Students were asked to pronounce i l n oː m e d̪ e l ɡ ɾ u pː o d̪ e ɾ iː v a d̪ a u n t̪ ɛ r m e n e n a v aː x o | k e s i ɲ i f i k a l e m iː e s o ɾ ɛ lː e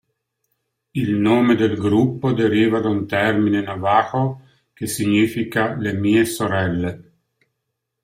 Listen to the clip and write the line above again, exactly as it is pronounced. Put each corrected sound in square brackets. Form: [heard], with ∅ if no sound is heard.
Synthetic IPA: i l n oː m e d̪ e l ɡ ɾ u pː o d̪ e ɾ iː v a d̪ a u n t̪ ɛ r m [i] n e n a v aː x o | k e s i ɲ i f i k a l e m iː e s o ɾ ɛ lː e